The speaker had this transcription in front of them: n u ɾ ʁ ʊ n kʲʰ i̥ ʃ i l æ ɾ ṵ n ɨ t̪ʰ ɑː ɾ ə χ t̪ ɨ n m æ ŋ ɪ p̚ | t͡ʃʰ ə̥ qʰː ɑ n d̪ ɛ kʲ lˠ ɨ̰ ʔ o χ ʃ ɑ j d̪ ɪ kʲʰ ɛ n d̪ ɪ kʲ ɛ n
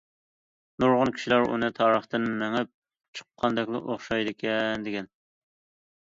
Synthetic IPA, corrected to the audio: n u ɾ ʁ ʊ n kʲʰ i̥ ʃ i l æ ɾ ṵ n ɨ t̪ʰ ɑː ɾ ə χ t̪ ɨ n m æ ŋ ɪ p̚ | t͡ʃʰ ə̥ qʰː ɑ n d̪ ɛ kʲ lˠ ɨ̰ ʔ o χ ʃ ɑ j d̪ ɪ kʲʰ ɛ n d̪ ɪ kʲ ɛ n